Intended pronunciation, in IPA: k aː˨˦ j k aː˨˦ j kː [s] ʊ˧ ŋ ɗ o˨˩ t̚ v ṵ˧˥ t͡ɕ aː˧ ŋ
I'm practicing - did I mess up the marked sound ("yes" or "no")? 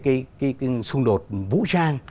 no